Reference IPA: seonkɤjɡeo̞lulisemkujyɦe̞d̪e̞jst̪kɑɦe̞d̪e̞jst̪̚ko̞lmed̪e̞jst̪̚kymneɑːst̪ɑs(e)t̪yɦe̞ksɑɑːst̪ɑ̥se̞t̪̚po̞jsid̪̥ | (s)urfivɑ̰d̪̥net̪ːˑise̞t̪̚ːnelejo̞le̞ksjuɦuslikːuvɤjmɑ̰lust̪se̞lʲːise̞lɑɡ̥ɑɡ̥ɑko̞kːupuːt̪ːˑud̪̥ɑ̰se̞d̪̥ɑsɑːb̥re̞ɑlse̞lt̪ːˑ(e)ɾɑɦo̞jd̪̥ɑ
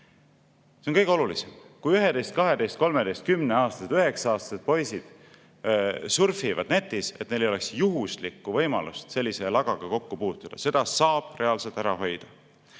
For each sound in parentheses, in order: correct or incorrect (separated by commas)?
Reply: correct, correct, incorrect